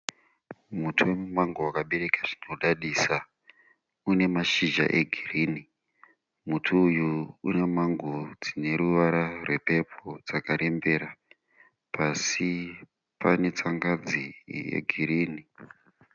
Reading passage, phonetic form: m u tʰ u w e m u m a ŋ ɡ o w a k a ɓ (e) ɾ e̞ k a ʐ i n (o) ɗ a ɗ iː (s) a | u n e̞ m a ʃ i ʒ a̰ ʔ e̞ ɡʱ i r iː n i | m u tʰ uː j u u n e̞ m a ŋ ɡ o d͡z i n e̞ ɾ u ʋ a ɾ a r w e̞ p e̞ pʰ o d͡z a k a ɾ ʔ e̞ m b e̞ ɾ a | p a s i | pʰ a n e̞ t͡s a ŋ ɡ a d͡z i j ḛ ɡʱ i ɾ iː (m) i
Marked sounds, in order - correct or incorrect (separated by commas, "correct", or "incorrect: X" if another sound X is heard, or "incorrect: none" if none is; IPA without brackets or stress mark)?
correct, correct, correct, incorrect: n